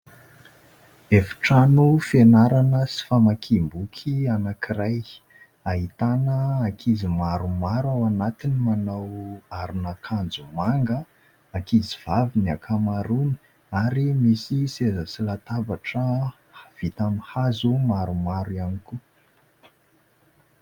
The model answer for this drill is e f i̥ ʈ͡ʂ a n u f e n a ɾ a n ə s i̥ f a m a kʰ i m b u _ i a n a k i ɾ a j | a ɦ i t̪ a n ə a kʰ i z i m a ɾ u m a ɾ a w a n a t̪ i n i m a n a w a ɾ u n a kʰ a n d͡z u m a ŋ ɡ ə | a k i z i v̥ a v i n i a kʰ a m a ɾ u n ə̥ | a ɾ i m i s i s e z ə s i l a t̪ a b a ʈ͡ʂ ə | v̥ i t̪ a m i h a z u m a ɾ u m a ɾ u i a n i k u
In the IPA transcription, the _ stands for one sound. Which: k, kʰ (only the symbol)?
kʰ